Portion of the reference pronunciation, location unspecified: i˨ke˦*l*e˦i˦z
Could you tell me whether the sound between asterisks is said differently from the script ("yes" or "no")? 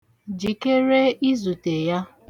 yes